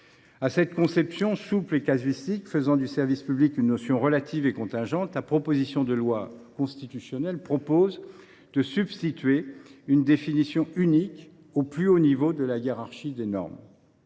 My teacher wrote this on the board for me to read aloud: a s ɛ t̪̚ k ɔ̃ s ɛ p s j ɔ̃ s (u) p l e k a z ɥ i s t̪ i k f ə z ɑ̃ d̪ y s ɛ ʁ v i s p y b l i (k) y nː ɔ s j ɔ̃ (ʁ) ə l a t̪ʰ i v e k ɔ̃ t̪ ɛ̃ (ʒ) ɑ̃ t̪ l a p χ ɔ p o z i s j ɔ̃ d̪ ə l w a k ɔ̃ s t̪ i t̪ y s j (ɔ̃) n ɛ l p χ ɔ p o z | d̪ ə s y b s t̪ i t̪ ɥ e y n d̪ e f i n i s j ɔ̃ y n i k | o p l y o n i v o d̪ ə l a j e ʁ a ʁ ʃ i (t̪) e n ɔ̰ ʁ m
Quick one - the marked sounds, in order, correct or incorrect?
correct, correct, correct, correct, incorrect, incorrect

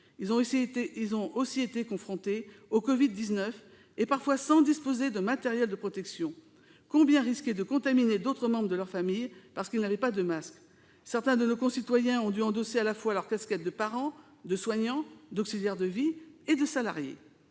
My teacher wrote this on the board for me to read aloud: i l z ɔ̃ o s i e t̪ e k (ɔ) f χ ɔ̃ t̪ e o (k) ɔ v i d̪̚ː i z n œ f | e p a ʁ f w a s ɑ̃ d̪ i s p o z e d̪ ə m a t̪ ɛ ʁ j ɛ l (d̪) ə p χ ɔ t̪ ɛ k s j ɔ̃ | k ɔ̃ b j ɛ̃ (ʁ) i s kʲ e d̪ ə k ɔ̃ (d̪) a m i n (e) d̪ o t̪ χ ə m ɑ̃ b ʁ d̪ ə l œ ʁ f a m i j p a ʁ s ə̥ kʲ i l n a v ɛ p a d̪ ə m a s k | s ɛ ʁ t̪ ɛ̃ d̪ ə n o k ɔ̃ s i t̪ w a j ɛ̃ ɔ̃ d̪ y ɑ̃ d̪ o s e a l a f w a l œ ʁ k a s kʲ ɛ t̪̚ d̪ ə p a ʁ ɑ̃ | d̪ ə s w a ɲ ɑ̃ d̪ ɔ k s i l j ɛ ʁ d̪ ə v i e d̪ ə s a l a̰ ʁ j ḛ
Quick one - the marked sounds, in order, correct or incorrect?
incorrect, correct, correct, correct, incorrect, correct

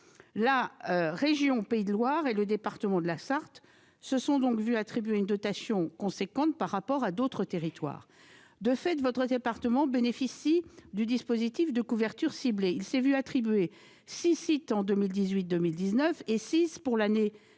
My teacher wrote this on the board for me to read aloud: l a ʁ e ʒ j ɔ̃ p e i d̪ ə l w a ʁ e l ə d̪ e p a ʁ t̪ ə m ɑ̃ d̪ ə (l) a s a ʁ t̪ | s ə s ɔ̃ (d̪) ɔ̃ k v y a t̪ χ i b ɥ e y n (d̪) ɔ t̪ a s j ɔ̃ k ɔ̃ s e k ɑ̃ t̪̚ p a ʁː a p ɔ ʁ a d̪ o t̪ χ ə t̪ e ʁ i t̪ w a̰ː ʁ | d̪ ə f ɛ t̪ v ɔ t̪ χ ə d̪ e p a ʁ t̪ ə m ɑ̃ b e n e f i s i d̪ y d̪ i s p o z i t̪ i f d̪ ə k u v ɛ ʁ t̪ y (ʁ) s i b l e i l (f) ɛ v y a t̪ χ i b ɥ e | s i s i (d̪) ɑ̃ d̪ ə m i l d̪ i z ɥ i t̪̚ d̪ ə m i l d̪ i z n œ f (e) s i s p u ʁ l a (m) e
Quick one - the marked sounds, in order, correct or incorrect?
correct, correct, correct, correct, incorrect, incorrect, correct, incorrect

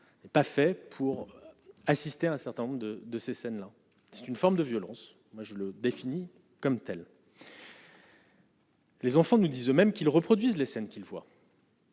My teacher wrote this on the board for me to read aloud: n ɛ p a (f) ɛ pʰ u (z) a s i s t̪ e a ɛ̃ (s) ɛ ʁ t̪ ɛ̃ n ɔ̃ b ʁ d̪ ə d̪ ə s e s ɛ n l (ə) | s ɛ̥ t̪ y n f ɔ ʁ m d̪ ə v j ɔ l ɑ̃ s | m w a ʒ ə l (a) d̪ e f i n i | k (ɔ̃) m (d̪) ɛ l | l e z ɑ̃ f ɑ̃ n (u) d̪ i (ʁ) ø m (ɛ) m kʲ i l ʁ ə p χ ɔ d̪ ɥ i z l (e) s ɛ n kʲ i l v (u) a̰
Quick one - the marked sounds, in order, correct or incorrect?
correct, incorrect, correct, incorrect, incorrect, incorrect, incorrect, correct, incorrect, correct, correct, incorrect

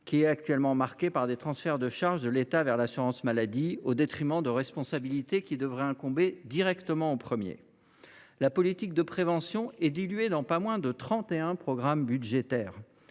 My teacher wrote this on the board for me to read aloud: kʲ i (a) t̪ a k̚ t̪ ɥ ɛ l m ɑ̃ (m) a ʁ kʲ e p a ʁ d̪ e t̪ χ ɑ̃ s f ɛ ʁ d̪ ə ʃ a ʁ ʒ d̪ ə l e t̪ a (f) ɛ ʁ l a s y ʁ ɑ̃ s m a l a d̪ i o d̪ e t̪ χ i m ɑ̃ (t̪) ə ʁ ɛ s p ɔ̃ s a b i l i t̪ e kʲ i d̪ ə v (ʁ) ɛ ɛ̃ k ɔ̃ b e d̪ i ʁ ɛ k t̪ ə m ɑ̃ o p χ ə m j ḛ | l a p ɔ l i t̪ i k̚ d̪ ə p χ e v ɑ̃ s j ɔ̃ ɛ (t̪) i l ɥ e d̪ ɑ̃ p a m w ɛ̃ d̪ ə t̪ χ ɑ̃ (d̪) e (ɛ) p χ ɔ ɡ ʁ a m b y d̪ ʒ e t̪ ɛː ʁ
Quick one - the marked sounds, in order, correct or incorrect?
incorrect, correct, incorrect, incorrect, correct, incorrect, incorrect, incorrect

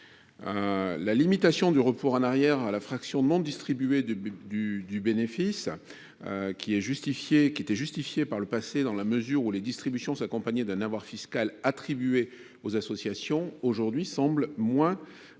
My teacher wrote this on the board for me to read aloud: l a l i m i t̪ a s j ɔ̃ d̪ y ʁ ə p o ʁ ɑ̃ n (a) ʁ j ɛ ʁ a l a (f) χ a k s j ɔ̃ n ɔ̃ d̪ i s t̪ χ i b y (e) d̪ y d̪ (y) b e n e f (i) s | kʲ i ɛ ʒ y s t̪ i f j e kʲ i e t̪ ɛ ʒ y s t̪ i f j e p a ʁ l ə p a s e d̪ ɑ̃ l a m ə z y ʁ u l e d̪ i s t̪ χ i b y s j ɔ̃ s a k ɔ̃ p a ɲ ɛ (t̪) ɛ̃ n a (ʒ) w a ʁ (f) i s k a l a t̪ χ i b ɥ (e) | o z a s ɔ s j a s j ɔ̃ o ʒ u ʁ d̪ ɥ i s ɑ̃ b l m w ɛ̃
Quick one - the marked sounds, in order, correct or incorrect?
correct, correct, correct, correct, correct, incorrect, incorrect, correct, correct

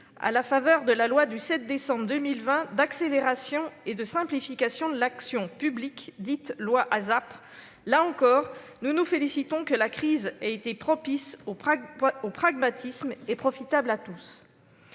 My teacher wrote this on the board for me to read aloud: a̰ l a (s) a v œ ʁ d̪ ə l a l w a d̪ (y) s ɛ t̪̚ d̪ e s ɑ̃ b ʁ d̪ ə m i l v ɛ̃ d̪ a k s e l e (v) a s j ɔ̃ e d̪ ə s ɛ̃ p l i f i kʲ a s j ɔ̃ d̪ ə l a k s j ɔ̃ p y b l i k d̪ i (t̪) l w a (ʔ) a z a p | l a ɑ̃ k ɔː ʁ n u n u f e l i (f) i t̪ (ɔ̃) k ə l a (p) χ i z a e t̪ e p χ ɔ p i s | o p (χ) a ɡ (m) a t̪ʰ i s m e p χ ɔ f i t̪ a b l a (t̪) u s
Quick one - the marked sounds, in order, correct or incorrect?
incorrect, correct, incorrect, correct, correct, incorrect, correct, incorrect, correct, correct, correct

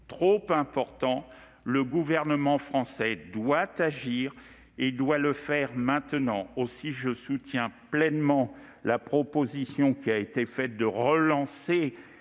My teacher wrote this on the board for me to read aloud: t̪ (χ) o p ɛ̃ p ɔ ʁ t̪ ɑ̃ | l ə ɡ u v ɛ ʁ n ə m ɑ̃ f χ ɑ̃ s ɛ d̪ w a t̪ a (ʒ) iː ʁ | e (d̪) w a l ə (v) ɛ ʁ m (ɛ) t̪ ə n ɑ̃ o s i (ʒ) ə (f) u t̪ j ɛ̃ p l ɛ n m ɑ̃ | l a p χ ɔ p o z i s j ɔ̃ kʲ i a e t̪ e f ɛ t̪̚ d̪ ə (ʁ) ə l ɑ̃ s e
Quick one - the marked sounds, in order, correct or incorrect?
correct, correct, correct, incorrect, incorrect, correct, incorrect, correct

